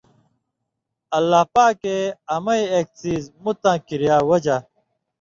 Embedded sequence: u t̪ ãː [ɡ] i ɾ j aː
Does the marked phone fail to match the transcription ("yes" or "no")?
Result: yes